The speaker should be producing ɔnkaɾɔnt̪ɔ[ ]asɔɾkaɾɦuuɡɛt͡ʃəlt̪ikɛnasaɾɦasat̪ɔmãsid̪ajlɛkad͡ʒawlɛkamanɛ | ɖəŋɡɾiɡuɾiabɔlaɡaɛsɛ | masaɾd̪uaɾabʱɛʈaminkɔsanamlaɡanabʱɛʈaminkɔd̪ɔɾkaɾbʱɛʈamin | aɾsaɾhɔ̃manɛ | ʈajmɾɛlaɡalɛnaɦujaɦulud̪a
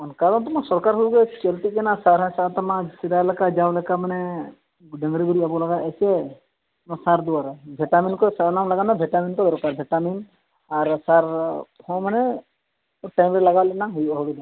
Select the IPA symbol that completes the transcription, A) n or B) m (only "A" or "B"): B